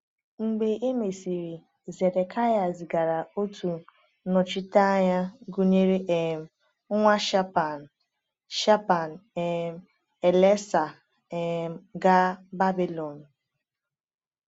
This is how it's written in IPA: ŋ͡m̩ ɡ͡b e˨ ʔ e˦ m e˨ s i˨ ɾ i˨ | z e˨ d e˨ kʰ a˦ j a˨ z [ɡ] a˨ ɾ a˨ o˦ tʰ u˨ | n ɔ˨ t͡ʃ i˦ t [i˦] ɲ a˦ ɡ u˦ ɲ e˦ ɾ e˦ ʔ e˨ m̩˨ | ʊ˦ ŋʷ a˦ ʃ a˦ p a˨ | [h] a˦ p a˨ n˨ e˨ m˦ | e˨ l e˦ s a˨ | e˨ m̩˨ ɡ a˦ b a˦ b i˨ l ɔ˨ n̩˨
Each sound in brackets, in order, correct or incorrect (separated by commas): correct, incorrect, incorrect